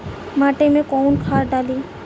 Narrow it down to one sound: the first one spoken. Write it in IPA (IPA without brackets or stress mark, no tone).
m